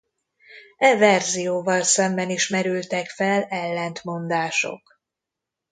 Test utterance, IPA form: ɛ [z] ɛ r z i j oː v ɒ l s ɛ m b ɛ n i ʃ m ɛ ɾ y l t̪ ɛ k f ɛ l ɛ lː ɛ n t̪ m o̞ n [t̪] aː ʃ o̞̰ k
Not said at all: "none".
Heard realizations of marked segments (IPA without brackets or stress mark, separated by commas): v, d̪